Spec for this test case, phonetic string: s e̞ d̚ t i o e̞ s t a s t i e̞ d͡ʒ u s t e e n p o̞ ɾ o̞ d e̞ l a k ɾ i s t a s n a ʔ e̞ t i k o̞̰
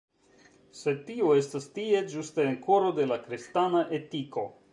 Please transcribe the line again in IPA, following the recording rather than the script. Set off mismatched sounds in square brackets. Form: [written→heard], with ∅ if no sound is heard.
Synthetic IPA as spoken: s e̞ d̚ t i o e̞ s t a s t i e̞ d͡ʒ u s t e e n [p→k] o̞ ɾ o̞ d e̞ l a k ɾ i s t a [s→∅] n a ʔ e̞ t i k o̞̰

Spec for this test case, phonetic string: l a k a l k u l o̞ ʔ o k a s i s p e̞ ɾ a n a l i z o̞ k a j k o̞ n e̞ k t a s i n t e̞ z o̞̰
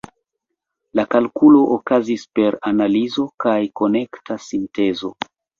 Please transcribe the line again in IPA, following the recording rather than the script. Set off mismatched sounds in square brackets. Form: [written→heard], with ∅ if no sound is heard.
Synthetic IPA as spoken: l a k a l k u l o̞ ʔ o k a [s→z] i s p e̞ ɾ a n a l i z o̞ k a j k o̞ n e̞ k t a s i n t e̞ z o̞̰

